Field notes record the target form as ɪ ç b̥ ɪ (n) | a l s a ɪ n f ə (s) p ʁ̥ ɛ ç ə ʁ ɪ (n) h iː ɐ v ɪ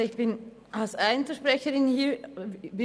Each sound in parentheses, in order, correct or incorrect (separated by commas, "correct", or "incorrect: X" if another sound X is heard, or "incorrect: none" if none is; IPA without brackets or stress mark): correct, incorrect: ʃ, correct